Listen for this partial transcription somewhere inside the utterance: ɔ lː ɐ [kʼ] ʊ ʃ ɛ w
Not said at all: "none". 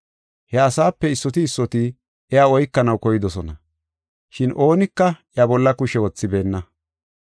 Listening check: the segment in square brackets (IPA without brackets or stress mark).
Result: k